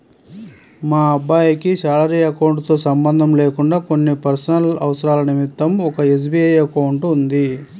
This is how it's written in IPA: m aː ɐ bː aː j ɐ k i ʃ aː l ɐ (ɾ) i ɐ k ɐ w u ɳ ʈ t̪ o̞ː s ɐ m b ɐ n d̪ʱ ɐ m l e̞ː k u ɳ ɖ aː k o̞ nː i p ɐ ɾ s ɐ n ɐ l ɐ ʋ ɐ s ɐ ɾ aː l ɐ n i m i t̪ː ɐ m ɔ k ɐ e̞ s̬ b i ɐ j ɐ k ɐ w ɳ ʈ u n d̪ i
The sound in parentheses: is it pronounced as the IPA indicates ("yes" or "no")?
yes